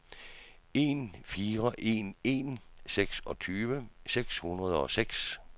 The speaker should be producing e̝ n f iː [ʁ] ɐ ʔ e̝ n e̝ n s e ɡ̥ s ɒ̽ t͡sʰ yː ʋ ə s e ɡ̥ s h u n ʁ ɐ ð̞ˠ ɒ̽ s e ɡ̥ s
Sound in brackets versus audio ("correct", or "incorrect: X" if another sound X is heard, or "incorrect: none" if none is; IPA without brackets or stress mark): correct